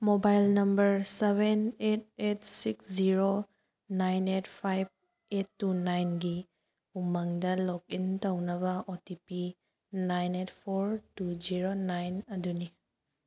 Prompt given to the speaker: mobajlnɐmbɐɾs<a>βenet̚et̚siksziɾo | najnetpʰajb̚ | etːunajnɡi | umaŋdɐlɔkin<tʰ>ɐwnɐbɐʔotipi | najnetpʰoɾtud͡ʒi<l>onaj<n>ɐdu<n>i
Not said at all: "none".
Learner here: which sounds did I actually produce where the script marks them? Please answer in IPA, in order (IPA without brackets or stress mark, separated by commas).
e, t, ɾ, n, n